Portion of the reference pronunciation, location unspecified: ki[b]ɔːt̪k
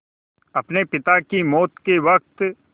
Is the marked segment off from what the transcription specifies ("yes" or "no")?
yes